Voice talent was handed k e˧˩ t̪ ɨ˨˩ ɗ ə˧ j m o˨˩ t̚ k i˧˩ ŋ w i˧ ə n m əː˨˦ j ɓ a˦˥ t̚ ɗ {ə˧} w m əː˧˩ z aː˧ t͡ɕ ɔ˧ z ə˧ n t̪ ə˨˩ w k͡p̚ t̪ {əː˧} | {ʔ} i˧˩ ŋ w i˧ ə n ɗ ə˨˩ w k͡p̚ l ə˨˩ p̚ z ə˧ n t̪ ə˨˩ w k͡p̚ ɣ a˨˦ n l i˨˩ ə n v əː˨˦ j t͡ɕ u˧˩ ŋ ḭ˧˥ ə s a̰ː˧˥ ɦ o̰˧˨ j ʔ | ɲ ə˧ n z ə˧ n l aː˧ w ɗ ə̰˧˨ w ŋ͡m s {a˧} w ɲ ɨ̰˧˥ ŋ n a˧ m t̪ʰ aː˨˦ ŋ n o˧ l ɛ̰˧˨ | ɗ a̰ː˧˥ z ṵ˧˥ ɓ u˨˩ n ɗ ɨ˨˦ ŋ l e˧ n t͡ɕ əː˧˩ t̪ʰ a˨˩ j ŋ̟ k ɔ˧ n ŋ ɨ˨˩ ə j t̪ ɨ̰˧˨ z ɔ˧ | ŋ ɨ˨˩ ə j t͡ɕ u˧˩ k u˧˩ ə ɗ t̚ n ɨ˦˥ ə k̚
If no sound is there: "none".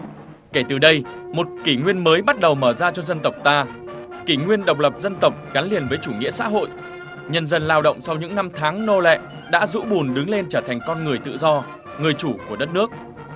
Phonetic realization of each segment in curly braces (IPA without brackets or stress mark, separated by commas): ə˨˩, aː˧, k, a˧